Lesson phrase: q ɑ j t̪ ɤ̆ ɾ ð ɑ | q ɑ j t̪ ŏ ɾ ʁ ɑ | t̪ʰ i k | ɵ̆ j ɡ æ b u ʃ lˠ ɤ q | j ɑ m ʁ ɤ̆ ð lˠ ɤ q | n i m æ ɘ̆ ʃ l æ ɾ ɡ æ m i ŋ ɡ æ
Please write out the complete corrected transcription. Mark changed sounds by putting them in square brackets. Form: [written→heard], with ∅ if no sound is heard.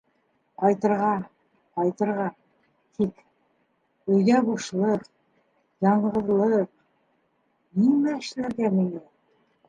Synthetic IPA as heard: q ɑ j t̪ ɤ̆ ɾ [ð→ʁ] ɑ | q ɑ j t̪ [ŏ→ɤ̆] ɾ ʁ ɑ | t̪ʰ i k | ɵ̆ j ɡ æ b u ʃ lˠ ɤ q | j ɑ [m→ɴ] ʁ ɤ̆ ð lˠ ɤ q | n i m æ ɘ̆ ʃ l æ ɾ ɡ æ m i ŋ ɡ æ